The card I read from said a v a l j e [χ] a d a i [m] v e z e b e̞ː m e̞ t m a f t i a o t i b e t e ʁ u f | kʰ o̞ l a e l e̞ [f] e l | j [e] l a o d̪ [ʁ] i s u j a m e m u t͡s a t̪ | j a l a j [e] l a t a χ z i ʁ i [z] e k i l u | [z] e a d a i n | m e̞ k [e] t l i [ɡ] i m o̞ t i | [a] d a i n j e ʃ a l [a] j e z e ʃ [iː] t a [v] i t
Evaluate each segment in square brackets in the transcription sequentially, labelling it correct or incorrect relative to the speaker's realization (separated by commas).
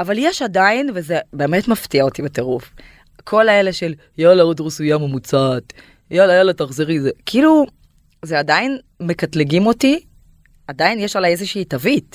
incorrect, incorrect, incorrect, incorrect, correct, incorrect, correct, correct, incorrect, correct, correct, correct, correct, correct